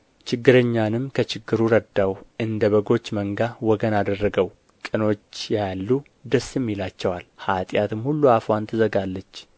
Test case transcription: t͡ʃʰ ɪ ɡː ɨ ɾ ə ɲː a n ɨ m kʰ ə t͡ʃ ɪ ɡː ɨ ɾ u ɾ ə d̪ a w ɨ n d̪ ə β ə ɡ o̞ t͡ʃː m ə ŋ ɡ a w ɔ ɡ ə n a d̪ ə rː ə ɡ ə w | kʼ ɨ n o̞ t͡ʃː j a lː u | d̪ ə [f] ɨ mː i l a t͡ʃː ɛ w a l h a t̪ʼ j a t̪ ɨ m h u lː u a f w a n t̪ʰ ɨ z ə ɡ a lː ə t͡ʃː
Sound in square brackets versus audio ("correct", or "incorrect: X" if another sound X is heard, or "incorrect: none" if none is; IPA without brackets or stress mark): incorrect: s